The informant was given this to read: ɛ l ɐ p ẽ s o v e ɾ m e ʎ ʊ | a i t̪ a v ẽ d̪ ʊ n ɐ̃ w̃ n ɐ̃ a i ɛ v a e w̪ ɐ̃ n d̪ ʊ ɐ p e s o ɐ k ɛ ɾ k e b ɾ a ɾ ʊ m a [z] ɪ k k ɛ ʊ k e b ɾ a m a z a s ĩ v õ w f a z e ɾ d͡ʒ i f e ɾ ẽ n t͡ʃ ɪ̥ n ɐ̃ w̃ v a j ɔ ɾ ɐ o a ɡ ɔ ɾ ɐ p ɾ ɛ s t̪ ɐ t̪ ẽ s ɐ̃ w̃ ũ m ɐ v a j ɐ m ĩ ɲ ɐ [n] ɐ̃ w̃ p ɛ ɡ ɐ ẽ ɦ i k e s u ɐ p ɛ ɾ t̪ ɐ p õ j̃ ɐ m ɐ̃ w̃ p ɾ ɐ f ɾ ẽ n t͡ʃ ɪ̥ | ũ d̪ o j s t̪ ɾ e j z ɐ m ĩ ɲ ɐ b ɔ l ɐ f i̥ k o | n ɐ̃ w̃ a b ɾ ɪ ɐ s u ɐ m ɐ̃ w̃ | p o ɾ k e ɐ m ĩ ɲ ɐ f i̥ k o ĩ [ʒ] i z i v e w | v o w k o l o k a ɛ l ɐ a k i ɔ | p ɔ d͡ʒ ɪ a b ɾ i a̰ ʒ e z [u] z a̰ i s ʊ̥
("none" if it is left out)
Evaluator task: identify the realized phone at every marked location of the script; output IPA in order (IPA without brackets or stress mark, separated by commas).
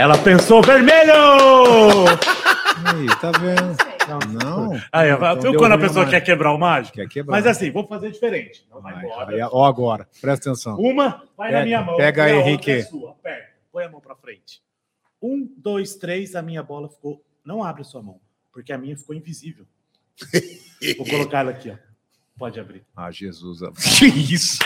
ʒ, m, v, u